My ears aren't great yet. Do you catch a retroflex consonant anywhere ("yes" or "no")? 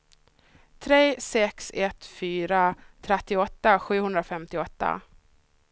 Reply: no